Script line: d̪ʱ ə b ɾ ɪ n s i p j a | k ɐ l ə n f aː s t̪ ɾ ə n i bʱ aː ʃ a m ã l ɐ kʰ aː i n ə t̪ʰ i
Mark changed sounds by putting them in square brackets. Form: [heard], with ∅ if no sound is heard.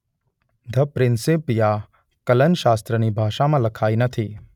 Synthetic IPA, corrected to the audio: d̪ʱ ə [p] ɾ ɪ n s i p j a | k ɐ l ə n [ʃ] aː s t̪ ɾ ə n i bʱ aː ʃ a m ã l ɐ kʰ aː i n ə t̪ʰ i